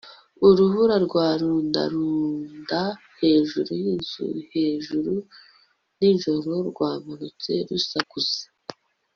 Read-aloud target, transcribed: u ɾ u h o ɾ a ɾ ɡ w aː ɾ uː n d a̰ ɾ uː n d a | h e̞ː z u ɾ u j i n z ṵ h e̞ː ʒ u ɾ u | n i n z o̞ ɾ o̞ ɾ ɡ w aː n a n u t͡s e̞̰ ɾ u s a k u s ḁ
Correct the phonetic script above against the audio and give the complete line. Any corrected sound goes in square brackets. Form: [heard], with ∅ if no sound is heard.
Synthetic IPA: u ɾ u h [u] ɾ a ɾ ɡ w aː ɾ uː n d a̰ ɾ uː n d a | h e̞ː [ʒ] u ɾ u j i n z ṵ h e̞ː ʒ u ɾ u | n i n [ʒ] o̞ ɾ o̞ ɾ ɡ w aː [m] a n u t͡s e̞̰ ɾ u s a k u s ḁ